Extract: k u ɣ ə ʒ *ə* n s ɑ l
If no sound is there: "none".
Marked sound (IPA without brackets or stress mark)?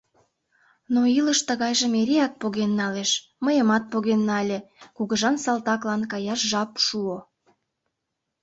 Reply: ɑ